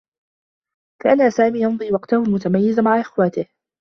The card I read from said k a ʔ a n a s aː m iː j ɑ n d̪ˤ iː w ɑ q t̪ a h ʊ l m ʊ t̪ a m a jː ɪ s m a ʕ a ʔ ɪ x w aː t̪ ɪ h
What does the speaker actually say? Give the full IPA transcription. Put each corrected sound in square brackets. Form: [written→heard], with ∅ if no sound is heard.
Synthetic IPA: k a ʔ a n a s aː m iː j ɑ n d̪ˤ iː w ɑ q t̪ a h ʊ l m ʊ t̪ a m a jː ɪ [s→z] m a ʕ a ʔ ɪ x w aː t̪ ɪ h